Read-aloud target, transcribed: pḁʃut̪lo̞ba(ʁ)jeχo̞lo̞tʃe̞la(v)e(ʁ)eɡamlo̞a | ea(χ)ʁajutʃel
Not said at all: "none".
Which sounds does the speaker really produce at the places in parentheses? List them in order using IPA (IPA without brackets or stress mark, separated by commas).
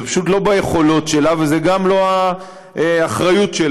none, v, z, χ